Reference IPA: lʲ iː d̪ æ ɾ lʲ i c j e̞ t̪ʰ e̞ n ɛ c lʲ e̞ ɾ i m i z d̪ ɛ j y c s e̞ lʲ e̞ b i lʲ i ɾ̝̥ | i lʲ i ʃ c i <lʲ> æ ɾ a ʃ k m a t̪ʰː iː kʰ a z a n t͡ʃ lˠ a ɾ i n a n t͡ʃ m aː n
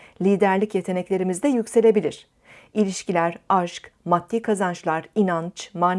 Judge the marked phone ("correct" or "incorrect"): correct